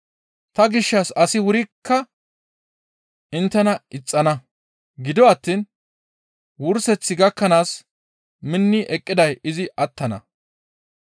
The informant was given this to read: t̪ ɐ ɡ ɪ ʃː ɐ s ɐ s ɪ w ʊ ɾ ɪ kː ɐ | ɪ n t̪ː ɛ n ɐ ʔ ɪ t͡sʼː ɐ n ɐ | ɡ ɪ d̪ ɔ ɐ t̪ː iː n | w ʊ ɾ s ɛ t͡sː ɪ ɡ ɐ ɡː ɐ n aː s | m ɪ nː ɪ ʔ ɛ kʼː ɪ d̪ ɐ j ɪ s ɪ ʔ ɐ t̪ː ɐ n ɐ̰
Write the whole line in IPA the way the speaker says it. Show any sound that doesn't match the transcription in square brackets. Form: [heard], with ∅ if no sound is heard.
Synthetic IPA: t̪ ɐ ɡ ɪ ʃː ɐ s ɐ s ɪ w ʊ ɾ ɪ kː ɐ | ɪ n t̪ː ɛ n ɐ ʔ ɪ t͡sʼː ɐ n ɐ | ɡ ɪ d̪ ɔ ɐ t̪ː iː n | w ʊ ɾ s ɛ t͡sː ɪ ɡ ɐ [kː] ɐ n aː s | m ɪ nː ɪ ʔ ɛ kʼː ɪ d̪ ɐ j ɪ [z] ɪ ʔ ɐ t̪ː ɐ n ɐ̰